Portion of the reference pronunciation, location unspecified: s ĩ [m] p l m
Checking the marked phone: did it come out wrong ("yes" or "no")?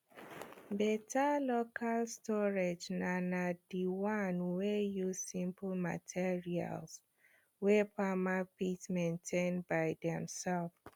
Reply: no